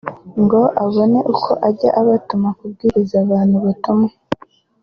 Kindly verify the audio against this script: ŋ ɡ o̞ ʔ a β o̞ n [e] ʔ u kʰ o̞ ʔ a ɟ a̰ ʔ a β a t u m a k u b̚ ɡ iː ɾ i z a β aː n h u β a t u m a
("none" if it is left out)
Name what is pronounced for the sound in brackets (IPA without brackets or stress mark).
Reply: e